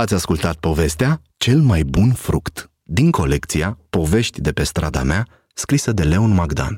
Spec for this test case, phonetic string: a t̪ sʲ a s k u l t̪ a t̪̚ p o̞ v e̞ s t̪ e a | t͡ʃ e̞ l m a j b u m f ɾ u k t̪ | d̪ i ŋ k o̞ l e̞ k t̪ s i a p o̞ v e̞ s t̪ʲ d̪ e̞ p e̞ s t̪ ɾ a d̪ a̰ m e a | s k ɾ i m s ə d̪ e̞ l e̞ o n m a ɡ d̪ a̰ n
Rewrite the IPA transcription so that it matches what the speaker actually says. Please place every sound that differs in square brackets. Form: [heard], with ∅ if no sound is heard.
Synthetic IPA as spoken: a t̪ sʲ a s k u l t̪ a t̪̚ p o̞ v e̞ s t̪ e a | t͡ʃ e̞ l m a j b u [n] f ɾ u k t̪ | d̪ i ŋ k o̞ l e̞ k t̪ s i a p o̞ v e̞ [ʃ] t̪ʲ d̪ e̞ p e̞ s t̪ ɾ a d̪ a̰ m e a | s k ɾ i [∅] s ə d̪ e̞ l e̞ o n m a ɡ d̪ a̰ n